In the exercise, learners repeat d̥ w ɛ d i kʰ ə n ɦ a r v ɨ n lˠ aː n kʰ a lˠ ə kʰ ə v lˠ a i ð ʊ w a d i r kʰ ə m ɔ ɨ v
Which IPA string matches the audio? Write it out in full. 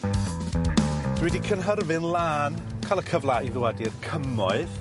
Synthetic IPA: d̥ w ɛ d i kʰ ə n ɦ ə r v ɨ n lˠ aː n kʰ a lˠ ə kʰ ə v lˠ a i ð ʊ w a d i r kʰ ə m ɔ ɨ ð